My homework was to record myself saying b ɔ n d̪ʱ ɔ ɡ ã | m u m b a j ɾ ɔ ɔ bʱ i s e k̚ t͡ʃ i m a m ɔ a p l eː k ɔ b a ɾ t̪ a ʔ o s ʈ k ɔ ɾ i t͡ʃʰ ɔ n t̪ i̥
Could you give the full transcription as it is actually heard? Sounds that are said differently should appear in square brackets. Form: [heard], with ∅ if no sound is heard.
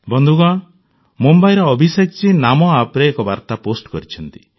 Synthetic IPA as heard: b ɔ n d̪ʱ [u] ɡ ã | m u m b a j ɾ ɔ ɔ bʱ i s e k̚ t͡ʃ i [n] a m ɔ a p [ɾ] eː k ɔ b a ɾ t̪ a [p] o s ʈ k ɔ ɾ i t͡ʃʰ ɔ n t̪ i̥